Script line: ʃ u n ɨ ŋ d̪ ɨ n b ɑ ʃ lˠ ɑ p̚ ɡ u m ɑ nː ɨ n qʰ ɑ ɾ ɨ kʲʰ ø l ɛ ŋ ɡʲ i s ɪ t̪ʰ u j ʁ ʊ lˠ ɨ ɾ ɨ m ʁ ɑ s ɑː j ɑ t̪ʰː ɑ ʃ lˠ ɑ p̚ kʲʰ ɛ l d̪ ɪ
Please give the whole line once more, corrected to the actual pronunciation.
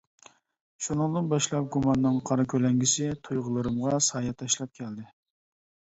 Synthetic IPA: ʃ u n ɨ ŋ d̪ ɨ n b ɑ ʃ lˠ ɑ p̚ ɡ u m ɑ nː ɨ ŋ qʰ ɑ ɾ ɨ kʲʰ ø l ɛ ŋ ɡʲ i s ɪ t̪ʰ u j ʁ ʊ lˠ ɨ ɾ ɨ m ʁ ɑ s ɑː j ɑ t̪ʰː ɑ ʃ lˠ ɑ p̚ kʲʰ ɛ l d̪ ɪ

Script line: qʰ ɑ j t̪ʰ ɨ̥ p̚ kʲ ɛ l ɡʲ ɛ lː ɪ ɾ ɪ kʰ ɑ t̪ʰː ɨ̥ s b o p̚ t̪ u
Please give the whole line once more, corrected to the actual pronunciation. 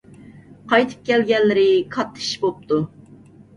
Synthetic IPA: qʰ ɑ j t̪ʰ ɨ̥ p̚ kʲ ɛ l ɡʲ ɛ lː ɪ ɾ ɪ kʰ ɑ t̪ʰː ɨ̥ ʃ b o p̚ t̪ u

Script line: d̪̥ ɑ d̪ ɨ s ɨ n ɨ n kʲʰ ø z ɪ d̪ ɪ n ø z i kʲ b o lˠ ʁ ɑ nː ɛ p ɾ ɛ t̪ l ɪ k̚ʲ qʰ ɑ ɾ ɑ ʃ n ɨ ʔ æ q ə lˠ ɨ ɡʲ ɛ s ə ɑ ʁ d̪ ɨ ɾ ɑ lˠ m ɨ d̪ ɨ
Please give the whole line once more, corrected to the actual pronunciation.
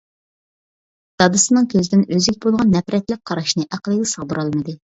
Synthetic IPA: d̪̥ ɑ d̪ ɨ s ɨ n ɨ ŋ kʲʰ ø z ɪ d̪ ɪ n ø z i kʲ b o lˠ ʁ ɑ nː ɛ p ɾ ɛ t̪ l ɪ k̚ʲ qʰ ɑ ɾ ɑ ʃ n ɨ ʔ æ q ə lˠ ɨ ɡʲ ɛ s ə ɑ ʁ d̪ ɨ ɾ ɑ lˠ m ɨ d̪ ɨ

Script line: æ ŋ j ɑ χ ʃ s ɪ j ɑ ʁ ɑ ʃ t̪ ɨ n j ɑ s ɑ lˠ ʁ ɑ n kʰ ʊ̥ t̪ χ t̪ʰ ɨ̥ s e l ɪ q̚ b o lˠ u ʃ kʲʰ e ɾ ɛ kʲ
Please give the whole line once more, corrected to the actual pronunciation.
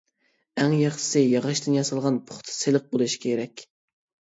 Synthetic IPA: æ ŋ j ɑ χ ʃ s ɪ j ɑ ʁ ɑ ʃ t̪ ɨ n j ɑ s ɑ lˠ ʁ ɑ n pʰ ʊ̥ χ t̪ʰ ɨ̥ s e l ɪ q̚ b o lˠ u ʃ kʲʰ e ɾ ɛ kʲ

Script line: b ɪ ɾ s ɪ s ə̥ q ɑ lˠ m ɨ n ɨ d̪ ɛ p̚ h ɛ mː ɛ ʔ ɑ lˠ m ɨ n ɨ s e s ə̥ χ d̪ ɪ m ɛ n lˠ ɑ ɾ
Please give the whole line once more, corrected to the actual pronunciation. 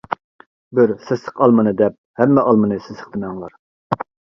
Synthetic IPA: b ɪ ɾ s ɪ s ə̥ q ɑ lˠ m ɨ n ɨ d̪ ɛ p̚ h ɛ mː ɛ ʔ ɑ lˠ m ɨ n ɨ s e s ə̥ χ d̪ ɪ m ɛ ŋ lˠ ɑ ɾ

